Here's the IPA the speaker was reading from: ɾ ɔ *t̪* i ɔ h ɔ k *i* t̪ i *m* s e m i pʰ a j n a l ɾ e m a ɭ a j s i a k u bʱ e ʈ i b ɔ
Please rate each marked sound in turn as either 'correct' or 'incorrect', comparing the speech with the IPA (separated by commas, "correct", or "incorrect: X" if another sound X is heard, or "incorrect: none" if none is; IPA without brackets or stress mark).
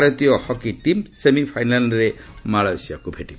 correct, correct, correct